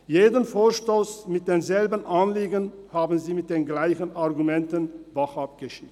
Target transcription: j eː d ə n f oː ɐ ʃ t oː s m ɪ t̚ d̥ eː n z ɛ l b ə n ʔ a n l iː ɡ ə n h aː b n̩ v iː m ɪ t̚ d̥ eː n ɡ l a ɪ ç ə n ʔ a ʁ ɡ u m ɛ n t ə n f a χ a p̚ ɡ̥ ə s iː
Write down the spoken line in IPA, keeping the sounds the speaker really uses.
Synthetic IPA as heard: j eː d ə n f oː ɐ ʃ t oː s m ɪ t̚ d̥ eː n z ɛ l b ə n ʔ a n l iː ɡ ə n h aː b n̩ z iː m ɪ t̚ d̥ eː n ɡ l a ɪ ç ə n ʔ a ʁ ɡ u m ɛ n t ə n v a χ a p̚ ɡ̥ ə ʃ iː